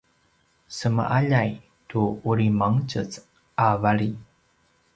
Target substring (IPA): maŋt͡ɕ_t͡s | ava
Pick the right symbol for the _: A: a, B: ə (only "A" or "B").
B